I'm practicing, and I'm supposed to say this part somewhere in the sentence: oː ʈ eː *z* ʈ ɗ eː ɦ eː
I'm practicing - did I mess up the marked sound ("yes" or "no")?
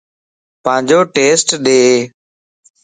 yes